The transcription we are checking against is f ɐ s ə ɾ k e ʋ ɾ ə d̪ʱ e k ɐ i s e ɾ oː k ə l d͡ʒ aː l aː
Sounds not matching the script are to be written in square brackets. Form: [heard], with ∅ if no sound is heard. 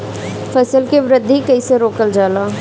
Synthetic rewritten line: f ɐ s ə [l] k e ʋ ɾ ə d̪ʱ [i] k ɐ i s e ɾ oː k ə l d͡ʒ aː l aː